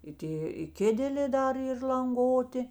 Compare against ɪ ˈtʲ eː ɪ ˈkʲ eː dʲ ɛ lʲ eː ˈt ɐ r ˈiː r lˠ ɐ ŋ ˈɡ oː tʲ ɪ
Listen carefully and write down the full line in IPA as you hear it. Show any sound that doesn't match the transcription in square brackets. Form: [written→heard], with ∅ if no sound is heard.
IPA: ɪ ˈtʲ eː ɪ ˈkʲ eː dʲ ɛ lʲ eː [ˈt→ˈd] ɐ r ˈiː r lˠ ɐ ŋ ˈɡ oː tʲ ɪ